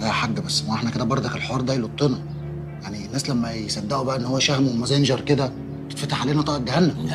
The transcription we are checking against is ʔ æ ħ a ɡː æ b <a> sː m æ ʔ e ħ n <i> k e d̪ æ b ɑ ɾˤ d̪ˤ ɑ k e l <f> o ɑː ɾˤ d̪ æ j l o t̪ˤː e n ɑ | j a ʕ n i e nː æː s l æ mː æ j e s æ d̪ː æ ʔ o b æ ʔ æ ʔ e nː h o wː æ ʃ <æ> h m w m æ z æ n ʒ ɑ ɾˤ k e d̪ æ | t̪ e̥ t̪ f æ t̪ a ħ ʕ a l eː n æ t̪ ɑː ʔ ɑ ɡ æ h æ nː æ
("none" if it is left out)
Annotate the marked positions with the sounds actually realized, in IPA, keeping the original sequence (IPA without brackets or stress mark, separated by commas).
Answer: æ, æ, ħ, æ